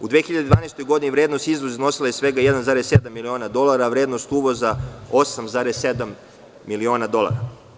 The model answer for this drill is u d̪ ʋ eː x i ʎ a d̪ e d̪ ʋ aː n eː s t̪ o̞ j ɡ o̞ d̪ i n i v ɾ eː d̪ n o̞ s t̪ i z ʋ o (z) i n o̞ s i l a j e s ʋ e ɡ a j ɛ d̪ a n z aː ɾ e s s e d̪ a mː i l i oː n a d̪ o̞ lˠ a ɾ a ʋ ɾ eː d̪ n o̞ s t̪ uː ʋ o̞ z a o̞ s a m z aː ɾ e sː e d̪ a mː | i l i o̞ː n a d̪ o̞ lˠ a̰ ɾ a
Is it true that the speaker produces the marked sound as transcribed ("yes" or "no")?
yes